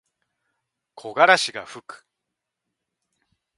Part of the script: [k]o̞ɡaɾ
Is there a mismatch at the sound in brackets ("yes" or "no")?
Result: yes